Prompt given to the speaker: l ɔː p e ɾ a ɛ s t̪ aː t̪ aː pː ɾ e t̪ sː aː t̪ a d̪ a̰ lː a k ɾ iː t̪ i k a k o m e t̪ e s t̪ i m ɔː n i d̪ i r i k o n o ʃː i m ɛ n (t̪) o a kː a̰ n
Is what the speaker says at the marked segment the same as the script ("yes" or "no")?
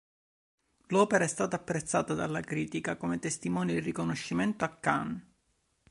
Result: yes